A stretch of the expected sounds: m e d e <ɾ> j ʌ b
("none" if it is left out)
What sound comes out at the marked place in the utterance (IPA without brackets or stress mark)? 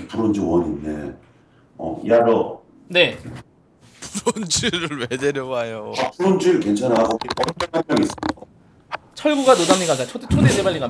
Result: ɾ